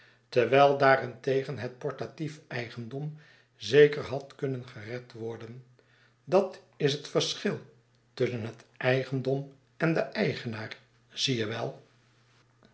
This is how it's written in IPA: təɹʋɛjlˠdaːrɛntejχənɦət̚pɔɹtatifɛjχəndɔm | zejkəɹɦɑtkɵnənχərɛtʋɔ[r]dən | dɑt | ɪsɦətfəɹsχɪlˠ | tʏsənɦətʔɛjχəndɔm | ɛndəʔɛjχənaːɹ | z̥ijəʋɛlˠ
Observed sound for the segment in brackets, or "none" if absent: ɹ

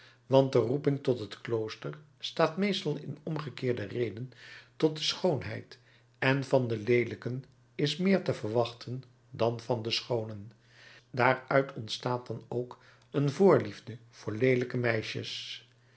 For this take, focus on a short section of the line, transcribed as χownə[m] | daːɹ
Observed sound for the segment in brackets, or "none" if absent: n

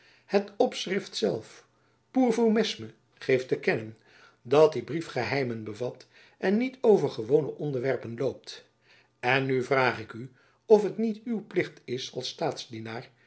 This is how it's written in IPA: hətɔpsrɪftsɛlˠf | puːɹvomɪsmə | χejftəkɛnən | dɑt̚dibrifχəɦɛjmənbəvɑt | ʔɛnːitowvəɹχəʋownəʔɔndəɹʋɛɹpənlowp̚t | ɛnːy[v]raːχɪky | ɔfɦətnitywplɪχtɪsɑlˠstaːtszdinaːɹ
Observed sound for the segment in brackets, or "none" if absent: v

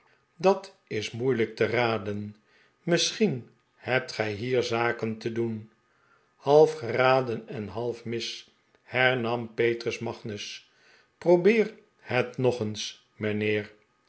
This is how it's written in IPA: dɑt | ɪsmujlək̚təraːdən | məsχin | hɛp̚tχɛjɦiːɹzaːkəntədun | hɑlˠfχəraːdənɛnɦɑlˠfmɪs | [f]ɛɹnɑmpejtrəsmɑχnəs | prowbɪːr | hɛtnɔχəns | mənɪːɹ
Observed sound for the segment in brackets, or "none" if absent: h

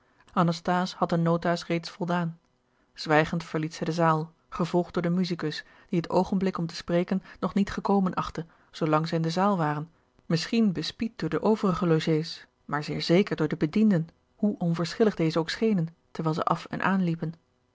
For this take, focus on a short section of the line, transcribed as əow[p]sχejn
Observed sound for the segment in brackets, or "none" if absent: k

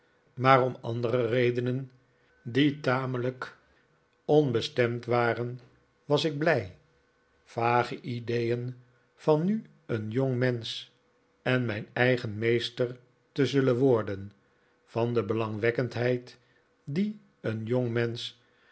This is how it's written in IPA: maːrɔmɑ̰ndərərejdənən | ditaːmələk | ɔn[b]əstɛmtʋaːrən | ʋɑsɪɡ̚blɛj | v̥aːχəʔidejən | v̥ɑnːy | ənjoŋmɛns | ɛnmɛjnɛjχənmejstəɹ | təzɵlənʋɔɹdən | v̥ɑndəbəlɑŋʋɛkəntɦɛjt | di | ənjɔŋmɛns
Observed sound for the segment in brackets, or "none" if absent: b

